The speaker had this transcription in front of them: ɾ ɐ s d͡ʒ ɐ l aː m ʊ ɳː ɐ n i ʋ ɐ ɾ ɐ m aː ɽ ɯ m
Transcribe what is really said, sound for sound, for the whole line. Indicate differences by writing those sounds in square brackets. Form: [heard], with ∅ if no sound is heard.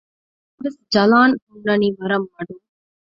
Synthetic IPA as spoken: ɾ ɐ s d͡ʒ ɐ l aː [n] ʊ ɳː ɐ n i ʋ ɐ ɾ ɐ m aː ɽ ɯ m

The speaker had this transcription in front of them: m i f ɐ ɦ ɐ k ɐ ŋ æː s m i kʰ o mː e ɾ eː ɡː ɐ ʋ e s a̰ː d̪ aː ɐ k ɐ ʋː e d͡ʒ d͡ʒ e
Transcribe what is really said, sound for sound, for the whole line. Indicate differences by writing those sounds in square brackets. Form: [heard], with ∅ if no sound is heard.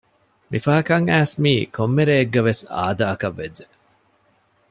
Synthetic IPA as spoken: m i f ɐ ɦ ɐ k ɐ ŋ æː s m [iː] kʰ o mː e ɾ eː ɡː ɐ ʋ e s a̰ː d̪ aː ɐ k ɐ ʋː e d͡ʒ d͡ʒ e

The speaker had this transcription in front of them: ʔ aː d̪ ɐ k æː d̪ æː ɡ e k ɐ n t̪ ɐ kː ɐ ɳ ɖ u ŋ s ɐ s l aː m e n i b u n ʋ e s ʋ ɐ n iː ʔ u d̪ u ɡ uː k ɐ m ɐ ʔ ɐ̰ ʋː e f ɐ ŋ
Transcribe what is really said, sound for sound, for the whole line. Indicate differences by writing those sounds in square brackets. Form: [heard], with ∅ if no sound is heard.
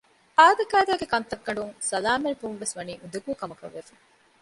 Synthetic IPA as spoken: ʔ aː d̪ ɐ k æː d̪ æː ɡ e k ɐ n t̪ ɐ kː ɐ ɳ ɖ u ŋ s ɐ [∅] l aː m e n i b u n ʋ e s ʋ ɐ n iː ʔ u d̪ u ɡ uː k ɐ m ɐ [k] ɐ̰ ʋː e f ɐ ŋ

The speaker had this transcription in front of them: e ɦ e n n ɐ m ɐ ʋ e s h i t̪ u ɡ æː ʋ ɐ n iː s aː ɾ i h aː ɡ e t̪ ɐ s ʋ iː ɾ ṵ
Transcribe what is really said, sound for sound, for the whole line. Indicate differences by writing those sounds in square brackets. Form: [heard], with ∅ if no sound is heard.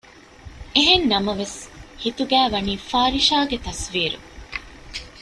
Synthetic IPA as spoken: e ɦ e n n ɐ m ɐ ʋ e s h i t̪ u ɡ æː ʋ ɐ n iː [f] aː ɾ i [ʃ] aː ɡ e t̪ ɐ s ʋ iː ɾ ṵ

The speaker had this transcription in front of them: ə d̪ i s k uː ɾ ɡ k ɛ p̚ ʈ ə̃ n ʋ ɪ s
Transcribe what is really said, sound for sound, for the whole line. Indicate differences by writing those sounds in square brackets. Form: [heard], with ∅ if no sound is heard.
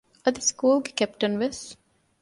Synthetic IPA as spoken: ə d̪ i s k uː [l] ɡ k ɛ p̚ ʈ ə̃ n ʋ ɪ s

